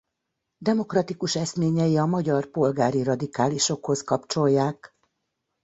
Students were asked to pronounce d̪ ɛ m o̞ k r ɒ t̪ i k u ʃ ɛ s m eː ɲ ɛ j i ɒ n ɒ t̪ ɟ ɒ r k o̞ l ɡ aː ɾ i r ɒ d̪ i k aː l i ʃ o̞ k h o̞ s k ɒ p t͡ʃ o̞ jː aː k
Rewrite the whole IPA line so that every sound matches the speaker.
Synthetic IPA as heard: d̪ ɛ m o̞ k r ɒ t̪ i k u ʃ ɛ s m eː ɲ ɛ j i ɒ m ɒ ɟ ɒ r p o̞ l ɡ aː ɾ i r ɒ d̪ i k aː l i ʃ o̞ k h o̞ s k ɒ p t͡ʃ o̞ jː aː k